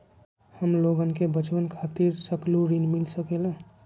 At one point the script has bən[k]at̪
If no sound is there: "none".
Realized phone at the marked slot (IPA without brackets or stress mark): kʰ